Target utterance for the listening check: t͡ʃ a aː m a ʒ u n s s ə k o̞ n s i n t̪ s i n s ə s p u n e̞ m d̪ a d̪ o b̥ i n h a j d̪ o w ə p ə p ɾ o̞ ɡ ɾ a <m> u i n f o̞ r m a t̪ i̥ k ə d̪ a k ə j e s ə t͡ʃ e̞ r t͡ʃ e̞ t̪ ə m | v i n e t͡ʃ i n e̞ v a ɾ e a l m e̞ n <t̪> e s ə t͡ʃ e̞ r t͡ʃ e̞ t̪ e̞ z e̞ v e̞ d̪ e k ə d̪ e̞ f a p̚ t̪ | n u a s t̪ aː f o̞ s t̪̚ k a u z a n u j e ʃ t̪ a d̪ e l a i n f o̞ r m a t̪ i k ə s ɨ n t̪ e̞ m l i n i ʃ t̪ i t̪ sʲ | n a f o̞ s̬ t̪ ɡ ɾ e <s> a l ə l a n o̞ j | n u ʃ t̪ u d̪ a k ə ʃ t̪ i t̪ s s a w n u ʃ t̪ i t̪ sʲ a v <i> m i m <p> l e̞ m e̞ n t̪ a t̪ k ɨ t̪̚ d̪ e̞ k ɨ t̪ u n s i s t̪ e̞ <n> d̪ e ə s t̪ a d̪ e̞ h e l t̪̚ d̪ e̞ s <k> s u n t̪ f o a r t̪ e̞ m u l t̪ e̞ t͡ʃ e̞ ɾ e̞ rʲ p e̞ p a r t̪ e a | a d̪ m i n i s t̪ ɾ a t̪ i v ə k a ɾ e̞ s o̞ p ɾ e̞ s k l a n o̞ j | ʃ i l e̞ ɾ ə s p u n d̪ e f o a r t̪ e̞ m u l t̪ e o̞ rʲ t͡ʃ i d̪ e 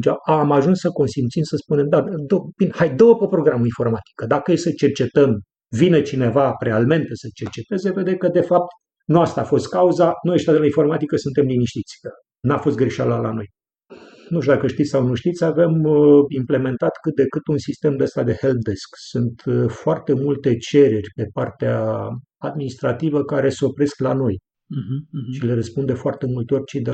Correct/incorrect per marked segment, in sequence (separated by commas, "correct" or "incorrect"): correct, correct, incorrect, incorrect, correct, incorrect, correct